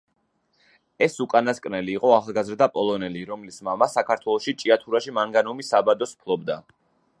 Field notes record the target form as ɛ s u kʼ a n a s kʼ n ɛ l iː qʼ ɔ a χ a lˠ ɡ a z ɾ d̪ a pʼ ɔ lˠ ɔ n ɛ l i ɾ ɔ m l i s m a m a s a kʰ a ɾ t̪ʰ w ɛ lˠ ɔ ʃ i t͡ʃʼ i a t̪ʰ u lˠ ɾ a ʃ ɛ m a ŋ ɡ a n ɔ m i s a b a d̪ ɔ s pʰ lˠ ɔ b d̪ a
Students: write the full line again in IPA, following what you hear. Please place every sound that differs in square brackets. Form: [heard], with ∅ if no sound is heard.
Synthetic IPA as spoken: ɛ s u kʼ a n a s kʼ n ɛ l iː qʼ ɔ a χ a lˠ ɡ a z ɾ d̪ a pʼ ɔ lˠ ɔ n ɛ l i ɾ ɔ m l i s m a m a s a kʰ a ɾ t̪ʰ w ɛ lˠ ɔ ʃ i t͡ʃʼ i a t̪ʰ u [∅] ɾ a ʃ [i] m a ŋ ɡ a n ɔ m i s a b a d̪ ɔ s pʰ lˠ ɔ b d̪ a